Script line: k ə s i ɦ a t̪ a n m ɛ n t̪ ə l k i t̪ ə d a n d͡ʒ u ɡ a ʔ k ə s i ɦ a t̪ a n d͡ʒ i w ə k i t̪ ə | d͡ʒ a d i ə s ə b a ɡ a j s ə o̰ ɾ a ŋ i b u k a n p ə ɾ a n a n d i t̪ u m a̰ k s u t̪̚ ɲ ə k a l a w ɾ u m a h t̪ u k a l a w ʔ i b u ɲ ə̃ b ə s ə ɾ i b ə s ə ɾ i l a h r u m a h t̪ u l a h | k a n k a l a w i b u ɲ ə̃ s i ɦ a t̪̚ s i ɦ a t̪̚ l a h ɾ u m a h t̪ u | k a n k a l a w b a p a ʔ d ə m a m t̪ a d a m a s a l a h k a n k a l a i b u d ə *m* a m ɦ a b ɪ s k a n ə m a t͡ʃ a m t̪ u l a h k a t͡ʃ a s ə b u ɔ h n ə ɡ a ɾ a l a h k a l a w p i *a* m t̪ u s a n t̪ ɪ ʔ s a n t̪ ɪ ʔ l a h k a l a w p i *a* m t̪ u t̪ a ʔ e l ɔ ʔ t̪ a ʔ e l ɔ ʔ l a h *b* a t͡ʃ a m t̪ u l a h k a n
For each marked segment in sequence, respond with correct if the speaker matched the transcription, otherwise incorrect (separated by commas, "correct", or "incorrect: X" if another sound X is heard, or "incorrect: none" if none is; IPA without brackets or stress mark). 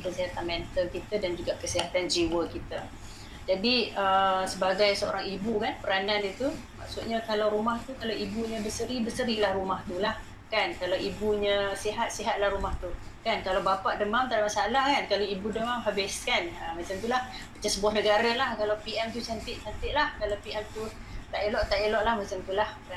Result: correct, incorrect: ɛ, incorrect: ɛ, incorrect: m